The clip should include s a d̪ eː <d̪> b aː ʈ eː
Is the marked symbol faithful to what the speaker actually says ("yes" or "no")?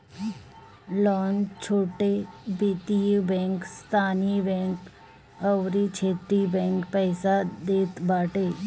no